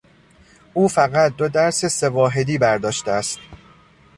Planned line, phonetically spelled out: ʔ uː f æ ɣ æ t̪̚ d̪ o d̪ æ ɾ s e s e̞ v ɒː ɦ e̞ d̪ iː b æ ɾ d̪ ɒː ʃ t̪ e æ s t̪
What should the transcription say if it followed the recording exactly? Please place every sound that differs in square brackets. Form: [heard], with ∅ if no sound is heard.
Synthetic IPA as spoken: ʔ uː f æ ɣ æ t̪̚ d̪ o d̪ æ ɾ s e s e̞ v ɒː ɦ e̞ d̪ iː b æ ɾ d̪ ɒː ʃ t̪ e æ s t̪